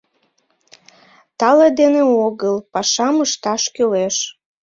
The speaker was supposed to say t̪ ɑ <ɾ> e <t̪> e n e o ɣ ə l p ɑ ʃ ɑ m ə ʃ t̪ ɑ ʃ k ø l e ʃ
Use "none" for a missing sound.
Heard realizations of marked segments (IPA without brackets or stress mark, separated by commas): l, d̪